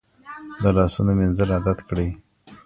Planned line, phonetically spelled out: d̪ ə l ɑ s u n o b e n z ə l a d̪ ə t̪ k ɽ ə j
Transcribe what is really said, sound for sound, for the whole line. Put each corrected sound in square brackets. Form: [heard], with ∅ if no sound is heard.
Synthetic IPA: d̪ ə l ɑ s u n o [m] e n z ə l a d̪ [a] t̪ k ɽ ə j